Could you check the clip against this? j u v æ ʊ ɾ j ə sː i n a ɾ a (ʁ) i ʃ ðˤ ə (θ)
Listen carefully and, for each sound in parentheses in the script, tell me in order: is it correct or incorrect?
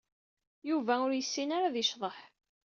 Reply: incorrect: ð, incorrect: ħ

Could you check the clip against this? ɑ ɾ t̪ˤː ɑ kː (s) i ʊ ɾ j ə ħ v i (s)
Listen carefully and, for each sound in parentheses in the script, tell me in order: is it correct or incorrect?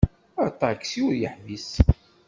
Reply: correct, correct

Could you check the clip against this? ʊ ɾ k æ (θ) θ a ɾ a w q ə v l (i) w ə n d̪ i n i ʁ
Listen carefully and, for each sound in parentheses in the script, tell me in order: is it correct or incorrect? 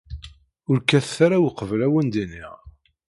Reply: correct, incorrect: æ

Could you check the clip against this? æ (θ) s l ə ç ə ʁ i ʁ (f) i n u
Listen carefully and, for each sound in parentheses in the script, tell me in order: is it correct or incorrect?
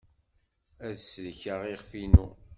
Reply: incorrect: ð, correct

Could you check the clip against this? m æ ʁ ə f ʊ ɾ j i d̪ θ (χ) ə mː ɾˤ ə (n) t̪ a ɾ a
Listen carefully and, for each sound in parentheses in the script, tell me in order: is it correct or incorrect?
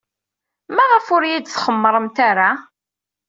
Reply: correct, incorrect: m

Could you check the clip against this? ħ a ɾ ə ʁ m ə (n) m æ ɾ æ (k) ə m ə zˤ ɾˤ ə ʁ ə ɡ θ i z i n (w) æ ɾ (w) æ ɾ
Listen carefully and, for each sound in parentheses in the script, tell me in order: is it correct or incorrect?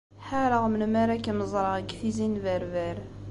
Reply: correct, correct, incorrect: v, incorrect: v

